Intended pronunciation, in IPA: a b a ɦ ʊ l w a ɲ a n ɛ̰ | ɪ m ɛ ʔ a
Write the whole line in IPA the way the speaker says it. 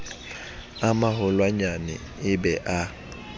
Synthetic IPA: a m a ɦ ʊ l w a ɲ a n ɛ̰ | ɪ b ɛ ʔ a